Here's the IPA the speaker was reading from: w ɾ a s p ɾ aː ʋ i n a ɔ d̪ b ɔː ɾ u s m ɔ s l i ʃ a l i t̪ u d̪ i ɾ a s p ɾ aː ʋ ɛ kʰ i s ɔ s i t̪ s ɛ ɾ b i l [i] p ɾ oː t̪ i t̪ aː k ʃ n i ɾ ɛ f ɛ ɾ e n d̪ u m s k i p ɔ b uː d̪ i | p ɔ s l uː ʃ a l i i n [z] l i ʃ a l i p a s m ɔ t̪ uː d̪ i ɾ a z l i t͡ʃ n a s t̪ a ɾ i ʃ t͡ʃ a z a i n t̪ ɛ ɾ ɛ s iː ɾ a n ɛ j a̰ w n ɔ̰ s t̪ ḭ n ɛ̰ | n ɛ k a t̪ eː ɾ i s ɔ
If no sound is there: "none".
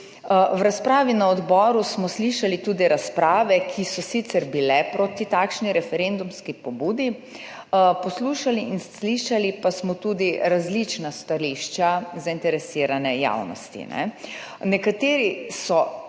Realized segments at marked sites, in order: ɛ, s

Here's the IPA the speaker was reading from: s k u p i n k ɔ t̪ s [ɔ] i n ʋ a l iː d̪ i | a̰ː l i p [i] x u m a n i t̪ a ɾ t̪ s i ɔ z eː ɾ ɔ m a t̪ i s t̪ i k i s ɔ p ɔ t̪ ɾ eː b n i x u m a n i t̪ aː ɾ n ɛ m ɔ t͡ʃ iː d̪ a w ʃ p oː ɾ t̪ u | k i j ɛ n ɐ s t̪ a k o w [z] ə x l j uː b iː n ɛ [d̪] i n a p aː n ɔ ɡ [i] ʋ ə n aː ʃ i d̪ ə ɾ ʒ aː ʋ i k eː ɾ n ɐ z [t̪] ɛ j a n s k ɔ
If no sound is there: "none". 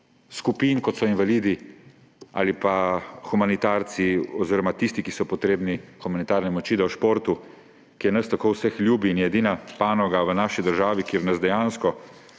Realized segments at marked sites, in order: ɔ, a, s, d̪, a, d̪

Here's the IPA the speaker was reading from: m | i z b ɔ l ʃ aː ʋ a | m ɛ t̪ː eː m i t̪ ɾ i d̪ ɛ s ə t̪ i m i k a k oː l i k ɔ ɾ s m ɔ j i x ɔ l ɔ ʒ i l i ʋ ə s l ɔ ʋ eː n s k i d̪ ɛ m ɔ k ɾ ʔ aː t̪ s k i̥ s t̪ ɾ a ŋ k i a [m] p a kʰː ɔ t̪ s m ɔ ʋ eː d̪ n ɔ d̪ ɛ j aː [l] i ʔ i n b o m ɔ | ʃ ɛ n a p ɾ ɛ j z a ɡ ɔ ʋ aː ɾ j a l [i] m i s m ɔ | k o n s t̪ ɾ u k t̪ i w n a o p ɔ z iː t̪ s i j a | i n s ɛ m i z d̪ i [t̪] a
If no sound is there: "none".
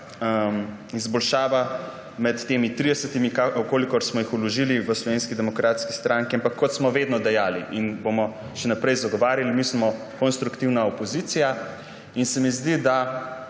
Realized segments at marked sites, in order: m, l, i, d̪

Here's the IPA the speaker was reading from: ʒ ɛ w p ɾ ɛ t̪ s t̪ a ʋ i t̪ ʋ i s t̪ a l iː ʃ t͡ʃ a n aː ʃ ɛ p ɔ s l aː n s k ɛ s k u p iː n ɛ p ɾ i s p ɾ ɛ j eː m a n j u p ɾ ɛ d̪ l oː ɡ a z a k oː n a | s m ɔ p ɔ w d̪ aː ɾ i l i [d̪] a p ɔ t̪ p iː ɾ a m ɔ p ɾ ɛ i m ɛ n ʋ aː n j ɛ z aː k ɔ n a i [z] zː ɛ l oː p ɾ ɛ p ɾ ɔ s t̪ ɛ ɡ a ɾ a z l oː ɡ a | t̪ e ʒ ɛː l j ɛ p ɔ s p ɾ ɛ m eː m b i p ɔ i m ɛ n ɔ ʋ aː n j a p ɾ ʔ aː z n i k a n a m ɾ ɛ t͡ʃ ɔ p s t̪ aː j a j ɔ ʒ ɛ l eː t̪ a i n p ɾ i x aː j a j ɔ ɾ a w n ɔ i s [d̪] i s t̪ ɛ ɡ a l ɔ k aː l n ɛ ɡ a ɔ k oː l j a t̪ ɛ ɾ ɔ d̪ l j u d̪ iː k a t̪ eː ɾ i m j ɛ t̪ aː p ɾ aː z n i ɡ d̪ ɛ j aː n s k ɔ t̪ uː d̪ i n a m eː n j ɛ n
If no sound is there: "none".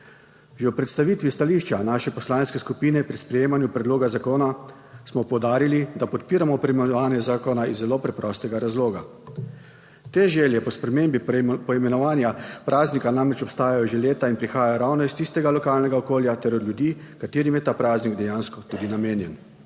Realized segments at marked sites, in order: d̪, z, t̪

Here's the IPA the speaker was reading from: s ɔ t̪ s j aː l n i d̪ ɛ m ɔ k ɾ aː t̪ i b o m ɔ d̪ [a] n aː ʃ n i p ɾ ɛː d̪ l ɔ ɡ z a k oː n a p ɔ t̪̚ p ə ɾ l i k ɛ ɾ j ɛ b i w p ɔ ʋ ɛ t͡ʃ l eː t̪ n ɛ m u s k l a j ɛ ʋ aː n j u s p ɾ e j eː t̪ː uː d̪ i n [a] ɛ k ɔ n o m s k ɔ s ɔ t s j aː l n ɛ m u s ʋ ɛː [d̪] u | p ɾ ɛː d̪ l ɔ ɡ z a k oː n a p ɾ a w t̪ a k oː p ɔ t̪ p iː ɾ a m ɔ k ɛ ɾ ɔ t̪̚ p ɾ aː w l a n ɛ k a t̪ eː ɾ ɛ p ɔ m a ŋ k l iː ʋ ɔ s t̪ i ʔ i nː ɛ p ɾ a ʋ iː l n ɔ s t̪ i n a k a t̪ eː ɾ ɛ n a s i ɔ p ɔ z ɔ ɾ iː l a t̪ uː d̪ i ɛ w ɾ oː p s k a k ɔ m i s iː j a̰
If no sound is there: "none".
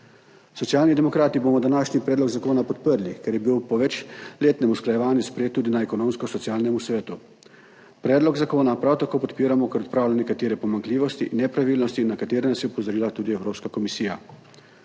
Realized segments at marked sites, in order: a, a, t̪

